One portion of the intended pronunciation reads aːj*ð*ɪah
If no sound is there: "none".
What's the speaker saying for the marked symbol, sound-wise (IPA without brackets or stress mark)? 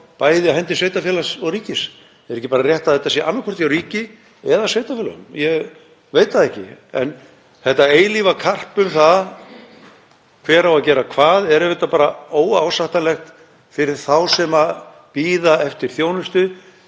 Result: ð